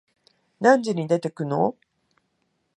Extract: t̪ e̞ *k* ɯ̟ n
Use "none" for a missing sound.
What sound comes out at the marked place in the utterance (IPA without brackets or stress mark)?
k